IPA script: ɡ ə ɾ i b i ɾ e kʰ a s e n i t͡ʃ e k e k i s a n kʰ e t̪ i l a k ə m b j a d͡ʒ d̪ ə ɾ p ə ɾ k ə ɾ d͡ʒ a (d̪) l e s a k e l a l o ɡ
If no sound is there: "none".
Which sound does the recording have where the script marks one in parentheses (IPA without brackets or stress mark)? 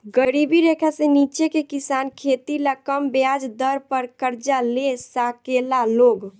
none